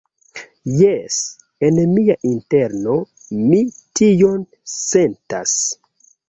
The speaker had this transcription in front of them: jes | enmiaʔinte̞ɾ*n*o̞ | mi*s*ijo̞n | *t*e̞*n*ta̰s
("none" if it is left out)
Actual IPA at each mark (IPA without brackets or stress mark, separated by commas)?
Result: n, t, s, n